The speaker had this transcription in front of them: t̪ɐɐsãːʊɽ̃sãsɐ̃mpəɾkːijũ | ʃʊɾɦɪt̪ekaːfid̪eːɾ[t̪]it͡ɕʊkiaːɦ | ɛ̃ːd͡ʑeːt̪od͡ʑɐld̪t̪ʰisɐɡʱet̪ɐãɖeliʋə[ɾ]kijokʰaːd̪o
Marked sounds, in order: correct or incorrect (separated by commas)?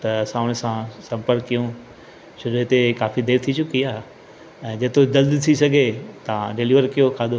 incorrect, correct